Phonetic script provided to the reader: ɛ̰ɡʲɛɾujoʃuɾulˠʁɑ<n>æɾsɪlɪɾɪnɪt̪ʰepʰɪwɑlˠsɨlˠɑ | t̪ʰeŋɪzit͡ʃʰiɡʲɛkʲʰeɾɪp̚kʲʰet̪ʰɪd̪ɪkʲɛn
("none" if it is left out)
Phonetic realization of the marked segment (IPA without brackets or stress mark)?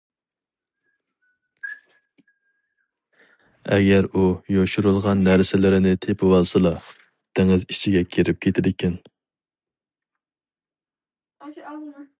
nː